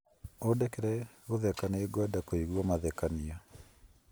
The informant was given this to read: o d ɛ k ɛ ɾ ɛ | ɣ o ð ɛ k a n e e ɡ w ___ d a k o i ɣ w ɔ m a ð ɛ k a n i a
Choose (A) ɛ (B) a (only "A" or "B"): B